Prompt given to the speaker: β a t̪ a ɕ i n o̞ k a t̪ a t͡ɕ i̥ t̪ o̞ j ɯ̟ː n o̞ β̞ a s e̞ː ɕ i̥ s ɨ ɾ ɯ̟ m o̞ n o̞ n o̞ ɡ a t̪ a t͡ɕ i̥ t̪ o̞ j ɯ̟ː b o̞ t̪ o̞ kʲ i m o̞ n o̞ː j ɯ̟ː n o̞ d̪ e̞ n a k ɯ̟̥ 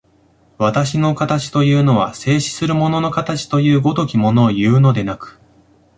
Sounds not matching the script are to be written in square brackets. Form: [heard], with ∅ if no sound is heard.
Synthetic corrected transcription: β a t̪ a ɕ i n o̞ k a t̪ a t͡ɕ i̥ t̪ o̞ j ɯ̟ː n o̞ β̞ a s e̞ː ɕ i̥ s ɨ ɾ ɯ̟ m o̞ n o̞ n o̞ [k] a t̪ a t͡ɕ i̥ t̪ o̞ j ɯ̟ː [ɡ] o̞ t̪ o̞ kʲ i m o̞ n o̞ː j ɯ̟ː n o̞ d̪ e̞ n a k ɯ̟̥